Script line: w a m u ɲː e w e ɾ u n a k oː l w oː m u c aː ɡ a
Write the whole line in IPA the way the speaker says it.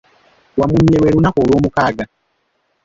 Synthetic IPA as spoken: w a m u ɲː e w e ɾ u n a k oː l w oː m u k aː ɡ a

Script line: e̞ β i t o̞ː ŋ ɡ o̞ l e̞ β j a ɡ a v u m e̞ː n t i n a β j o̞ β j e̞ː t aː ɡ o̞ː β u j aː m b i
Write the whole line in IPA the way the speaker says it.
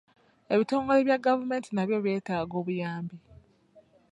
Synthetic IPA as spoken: e̞ β i t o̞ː ŋ ɡ o̞ l e̞ β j a ɡ a v u m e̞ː n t i n a β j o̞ β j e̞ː t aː ɡ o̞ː β u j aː m b i

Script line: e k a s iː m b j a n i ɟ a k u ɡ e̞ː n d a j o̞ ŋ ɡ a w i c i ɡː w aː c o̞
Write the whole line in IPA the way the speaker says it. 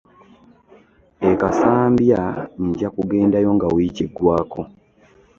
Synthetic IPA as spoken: e k a s aː m b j a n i ɟ a k u ɡ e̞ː n d a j o̞ ŋ ɡ a w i c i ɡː w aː k o̞

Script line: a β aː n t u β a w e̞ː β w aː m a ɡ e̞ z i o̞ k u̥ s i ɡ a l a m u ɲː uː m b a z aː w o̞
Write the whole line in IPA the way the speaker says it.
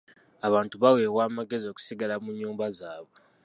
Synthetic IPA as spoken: a β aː n t u β a w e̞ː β w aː m a ɡ e̞ z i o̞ k u̥ s i ɡ a l a m u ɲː uː m b a z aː β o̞

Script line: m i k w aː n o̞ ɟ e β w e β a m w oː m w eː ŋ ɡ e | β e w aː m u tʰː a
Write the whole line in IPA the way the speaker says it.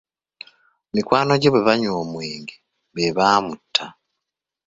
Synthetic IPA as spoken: m i k w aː n o̞ ɟ e β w e β a ɲ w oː m w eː ŋ ɡ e | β e β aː m u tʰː a

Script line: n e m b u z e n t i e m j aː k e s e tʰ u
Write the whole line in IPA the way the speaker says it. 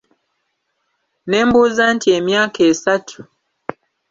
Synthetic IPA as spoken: n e m b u z a n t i e m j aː k e s a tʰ u

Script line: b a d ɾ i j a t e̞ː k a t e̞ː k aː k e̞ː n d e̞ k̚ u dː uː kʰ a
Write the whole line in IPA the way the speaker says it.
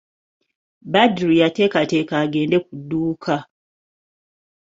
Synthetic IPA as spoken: b a d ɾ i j a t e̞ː k a t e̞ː k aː ɡ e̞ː n d e̞ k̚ u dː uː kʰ a

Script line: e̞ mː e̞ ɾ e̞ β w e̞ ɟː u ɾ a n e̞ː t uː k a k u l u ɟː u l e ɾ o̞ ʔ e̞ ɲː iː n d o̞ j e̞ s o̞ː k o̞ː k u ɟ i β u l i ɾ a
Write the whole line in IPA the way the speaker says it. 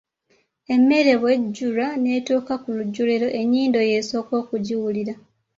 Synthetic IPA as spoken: e̞ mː e̞ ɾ e̞ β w e̞ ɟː u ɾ a n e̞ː t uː k a k u l u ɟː u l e ɾ o̞ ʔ e̞ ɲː iː n d o̞ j e̞ s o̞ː k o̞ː k u ɟ i w u l i ɾ a

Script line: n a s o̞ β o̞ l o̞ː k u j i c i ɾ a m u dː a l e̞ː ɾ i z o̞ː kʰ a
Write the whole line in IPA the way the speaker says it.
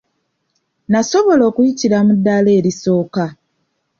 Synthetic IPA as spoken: n a s o̞ β o̞ l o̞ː k u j i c i ɾ a m u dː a l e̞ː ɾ i s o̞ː k a

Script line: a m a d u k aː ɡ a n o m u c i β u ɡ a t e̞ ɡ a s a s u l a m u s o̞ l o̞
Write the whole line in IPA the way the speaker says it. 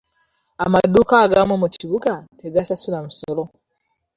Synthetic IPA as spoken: a m a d u k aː ɡ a m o m u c i β u ɡ a t e̞ ɡ a s a s u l a m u s o̞ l o̞

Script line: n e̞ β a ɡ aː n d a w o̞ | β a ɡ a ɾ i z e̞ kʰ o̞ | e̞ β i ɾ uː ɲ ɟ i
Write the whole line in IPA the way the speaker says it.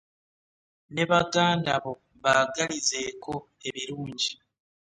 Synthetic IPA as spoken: n e̞ β a ɡ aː n d a β o̞ | β a ɡ a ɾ i z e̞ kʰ o̞ | e̞ β i ɾ uː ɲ ɟ i

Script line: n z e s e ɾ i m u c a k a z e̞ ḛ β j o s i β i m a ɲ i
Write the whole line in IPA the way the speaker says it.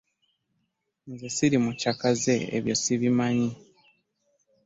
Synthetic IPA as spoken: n z e s i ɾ i m u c a k a z e̞ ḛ β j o s i β i m a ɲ i

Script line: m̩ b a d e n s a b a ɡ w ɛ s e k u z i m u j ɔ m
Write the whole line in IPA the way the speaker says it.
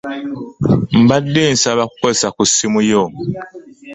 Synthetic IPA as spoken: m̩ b a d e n s a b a k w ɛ s a k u s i m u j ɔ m

